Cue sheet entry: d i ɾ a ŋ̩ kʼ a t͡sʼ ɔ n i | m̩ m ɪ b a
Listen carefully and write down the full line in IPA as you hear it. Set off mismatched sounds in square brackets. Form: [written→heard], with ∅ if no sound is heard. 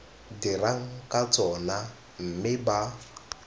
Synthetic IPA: d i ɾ a ŋ̩ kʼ a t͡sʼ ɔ n [i→a] | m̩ m ɪ b a